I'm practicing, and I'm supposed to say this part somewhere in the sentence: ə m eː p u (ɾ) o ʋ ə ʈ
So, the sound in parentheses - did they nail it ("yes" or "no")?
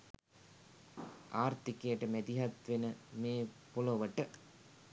no